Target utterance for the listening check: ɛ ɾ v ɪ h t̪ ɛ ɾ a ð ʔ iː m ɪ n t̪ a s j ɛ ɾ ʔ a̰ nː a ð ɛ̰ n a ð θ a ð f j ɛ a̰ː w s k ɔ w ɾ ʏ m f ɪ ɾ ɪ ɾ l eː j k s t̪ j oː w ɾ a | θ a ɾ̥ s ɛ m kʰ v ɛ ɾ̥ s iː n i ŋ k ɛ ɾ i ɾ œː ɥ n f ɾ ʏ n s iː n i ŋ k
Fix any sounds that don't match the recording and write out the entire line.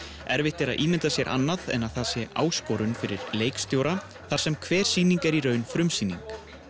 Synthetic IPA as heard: ɛ ɾ v ɪ h t̪ ɛ ɾ a ð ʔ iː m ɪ n t̪ a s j ɛ ɾ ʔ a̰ nː a ð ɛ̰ n a ð θ a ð s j ɛ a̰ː w s k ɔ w ɾ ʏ n f ɪ ɾ ɪ ɾ l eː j k s t̪ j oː w ɾ a | θ a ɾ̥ s ɛ m kʰ v ɛː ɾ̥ s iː n i ŋ k ɛ ɾ i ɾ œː ɥ n f ɾ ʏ m s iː n i ŋ k